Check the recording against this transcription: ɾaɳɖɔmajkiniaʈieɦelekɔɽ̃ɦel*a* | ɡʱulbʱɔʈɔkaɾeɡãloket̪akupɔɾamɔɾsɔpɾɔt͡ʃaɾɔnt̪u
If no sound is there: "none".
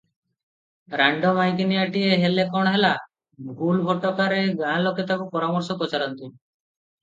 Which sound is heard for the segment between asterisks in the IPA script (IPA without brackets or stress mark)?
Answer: a